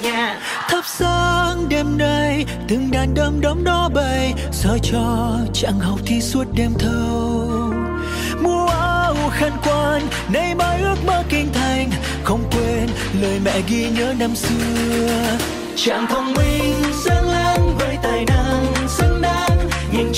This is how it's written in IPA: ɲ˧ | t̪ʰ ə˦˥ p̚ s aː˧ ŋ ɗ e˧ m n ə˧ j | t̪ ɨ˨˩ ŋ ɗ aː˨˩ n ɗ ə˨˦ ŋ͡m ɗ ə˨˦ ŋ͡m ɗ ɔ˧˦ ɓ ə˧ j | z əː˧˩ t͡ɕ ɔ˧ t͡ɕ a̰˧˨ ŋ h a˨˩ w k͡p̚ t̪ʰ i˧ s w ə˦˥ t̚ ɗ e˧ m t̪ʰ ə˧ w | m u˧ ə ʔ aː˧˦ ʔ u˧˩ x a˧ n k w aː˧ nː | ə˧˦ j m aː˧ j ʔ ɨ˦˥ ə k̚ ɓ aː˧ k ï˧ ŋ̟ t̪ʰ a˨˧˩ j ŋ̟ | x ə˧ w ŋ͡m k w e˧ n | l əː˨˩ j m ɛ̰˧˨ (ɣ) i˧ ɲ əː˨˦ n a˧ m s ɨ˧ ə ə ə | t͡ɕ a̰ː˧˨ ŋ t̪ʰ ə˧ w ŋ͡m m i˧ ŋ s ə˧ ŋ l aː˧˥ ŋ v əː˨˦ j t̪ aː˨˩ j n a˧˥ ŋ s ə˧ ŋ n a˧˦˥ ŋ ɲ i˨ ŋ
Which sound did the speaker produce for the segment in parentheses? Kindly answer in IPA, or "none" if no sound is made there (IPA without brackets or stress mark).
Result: ɣ